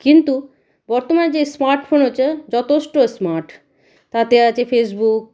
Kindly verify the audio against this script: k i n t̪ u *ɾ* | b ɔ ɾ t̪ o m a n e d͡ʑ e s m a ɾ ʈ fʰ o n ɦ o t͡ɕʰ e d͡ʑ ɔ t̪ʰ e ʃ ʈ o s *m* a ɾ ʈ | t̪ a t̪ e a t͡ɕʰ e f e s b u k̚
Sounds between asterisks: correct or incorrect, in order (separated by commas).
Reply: incorrect, correct